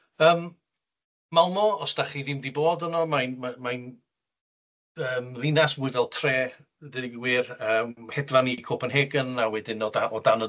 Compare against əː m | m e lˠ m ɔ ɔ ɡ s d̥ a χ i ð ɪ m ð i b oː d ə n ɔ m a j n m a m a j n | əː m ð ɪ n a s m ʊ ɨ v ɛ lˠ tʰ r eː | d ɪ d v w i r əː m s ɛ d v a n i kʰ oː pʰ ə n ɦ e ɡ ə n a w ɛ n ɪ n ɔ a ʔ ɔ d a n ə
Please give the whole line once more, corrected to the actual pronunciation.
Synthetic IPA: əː m | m a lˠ m ɔ ɔ s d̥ a χ i ð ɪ m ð i b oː d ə n ɔ m a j n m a m a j n | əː m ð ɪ n a s m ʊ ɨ v ɛ lˠ tʰ r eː | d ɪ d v w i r əː m h ɛ d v a n i kʰ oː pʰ ə n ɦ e ɡ ə n a w ɛ d ɪ n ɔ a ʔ ɔ d a n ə